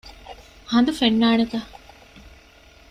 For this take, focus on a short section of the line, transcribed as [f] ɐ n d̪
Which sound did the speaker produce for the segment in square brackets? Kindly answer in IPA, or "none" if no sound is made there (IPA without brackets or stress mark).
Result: h